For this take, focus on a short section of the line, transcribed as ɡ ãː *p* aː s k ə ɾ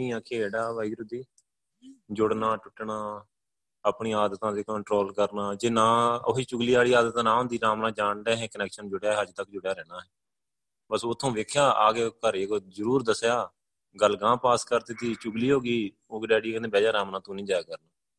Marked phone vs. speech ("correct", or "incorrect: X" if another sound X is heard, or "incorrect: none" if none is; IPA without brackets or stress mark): correct